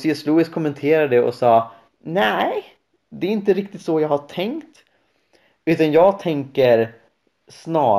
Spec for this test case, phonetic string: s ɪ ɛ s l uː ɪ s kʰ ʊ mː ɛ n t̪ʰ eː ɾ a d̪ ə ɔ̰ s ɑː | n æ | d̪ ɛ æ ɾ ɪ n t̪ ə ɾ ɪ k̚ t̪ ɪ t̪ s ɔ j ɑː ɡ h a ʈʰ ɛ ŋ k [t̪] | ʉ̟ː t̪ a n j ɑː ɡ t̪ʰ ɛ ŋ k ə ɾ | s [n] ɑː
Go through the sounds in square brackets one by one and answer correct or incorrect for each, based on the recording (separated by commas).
correct, correct